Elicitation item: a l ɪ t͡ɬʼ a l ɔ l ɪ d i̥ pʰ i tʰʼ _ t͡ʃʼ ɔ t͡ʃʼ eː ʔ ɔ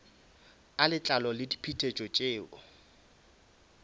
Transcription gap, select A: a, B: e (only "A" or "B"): B